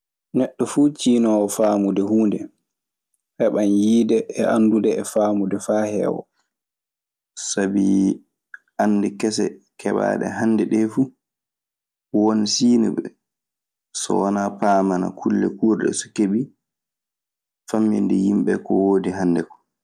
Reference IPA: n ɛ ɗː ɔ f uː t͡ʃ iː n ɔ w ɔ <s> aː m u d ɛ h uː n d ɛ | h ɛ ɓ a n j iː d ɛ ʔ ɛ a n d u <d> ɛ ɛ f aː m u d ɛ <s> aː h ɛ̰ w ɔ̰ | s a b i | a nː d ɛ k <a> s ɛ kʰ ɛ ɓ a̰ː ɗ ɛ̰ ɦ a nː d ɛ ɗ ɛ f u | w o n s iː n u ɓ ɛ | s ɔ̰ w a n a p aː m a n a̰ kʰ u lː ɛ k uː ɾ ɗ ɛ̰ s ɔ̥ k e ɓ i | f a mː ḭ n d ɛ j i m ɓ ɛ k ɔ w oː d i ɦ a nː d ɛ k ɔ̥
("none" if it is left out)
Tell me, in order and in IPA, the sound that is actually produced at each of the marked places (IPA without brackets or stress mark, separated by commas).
f, d, f, ɛ